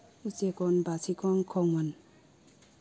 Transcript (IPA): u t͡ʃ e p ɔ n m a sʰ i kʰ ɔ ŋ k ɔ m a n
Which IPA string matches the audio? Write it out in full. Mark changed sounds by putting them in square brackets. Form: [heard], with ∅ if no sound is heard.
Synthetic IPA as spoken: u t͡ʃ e [k] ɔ n [b] a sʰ i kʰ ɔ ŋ [kʰ] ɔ [ŋ] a n